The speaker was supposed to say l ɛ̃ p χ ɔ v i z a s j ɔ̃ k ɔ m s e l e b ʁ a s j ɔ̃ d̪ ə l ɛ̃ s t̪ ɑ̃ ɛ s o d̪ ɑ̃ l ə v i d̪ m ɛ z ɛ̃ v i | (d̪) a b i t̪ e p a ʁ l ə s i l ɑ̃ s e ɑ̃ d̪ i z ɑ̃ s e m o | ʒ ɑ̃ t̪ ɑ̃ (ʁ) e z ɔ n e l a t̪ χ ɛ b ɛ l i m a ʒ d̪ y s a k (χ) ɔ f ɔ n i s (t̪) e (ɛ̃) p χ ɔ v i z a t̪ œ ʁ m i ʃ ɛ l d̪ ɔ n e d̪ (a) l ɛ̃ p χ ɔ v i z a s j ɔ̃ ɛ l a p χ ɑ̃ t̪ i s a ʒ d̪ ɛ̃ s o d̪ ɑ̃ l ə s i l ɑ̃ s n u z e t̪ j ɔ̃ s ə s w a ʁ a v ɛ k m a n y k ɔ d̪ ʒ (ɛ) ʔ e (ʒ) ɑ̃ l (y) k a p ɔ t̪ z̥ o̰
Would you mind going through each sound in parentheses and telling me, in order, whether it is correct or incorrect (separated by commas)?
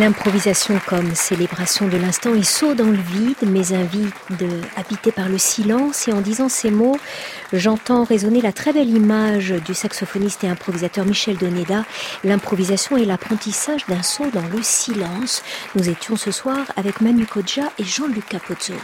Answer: correct, correct, incorrect, correct, correct, correct, incorrect, correct, correct